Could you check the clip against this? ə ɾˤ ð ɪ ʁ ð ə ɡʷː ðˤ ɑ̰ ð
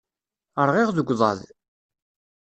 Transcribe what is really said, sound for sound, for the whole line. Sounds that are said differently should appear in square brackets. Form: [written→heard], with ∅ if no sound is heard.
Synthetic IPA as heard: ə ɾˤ [ð→ʁ] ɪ ʁ ð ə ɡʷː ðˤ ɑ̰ ð